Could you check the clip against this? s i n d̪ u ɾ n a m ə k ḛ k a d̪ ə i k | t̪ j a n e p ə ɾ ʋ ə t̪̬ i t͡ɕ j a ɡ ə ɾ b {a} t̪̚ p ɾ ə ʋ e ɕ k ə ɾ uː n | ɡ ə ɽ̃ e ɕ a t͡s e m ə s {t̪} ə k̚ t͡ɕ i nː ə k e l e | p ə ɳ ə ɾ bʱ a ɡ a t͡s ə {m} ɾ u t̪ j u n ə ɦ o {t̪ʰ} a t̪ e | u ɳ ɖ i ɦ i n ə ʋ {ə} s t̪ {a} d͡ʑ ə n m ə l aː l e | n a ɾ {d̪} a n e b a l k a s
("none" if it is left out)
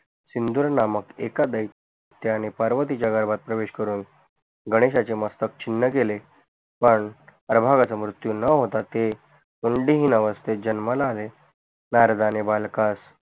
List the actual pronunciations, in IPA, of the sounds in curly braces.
a, t̪, m, t̪, ə, e, d̪

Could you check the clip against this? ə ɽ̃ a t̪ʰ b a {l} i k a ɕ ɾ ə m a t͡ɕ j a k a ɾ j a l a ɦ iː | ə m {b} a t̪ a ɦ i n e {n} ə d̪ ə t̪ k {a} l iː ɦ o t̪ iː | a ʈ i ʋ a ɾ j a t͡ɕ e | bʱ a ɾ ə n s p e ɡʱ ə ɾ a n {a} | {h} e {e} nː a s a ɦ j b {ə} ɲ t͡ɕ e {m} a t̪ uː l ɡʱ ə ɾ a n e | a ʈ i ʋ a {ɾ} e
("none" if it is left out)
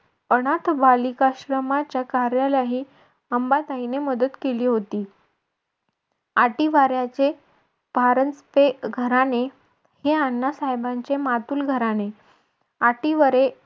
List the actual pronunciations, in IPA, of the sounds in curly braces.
l, b, m, e, e, h, a, a, m, ɾ

